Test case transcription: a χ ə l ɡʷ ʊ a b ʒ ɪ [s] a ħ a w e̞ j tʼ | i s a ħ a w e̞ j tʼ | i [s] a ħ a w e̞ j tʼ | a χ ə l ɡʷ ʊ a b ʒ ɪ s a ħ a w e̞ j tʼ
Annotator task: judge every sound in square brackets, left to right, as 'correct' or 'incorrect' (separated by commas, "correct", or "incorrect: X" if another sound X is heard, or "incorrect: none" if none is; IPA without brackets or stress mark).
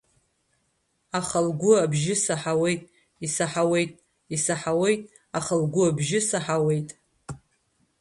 correct, correct